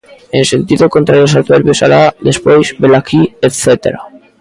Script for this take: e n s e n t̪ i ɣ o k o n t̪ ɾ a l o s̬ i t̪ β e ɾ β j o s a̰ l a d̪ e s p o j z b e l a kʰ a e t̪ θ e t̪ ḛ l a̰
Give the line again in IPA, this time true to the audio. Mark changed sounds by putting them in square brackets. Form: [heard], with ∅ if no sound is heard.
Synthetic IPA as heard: e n s e n t̪ i [ð] o k o n t̪ ɾ a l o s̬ [a] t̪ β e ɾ β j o s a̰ l a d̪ e s p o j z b e l a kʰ [i] e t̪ θ e t̪ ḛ [ɾ] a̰